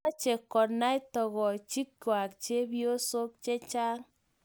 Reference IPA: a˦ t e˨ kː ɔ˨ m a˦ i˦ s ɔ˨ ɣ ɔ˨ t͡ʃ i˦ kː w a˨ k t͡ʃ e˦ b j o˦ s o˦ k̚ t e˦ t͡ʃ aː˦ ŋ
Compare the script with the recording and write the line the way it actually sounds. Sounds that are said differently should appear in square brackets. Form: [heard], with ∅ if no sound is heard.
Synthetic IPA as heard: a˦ [t͡ʃ] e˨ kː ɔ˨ [n] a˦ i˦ [t] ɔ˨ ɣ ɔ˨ t͡ʃ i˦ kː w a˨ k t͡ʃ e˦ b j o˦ s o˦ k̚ [t͡ʃ] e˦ t͡ʃ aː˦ ŋ